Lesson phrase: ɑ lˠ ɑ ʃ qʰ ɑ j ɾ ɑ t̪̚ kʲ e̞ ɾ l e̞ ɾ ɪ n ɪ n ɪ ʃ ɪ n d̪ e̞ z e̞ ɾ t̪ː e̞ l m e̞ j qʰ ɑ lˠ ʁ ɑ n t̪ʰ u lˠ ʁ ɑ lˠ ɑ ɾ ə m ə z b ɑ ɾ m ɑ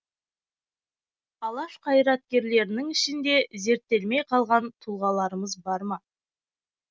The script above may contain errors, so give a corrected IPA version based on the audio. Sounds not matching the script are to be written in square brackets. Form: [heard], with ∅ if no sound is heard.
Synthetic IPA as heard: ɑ lˠ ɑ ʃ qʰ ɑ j ɾ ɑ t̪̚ kʲ e̞ ɾ l e̞ ɾ ɪ n ɪ [ŋ] ɪ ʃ ɪ n d̪ e̞ z e̞ ɾ t̪ː e̞ l m e̞ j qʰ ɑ lˠ ʁ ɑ n t̪ʰ u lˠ ʁ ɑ lˠ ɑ ɾ ə m ə z b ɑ ɾ m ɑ